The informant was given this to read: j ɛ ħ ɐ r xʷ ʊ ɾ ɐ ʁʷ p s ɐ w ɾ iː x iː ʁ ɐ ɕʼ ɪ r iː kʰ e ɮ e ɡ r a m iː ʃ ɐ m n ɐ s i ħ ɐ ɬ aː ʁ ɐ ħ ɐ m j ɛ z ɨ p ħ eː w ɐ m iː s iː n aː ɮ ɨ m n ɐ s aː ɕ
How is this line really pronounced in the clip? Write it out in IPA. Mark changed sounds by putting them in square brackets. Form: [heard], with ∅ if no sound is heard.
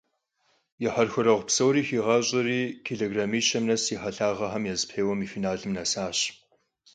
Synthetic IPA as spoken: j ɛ ħ ɐ r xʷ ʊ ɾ ɐ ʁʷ p s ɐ w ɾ iː x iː ʁ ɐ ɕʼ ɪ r iː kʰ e ɮ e ɡ r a m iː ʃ ɐ m n ɐ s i ħ ɐ ɬ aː ʁ ɐ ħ ɐ m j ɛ z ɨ p ħ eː w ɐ m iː [f] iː n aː ɮ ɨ m n ɐ s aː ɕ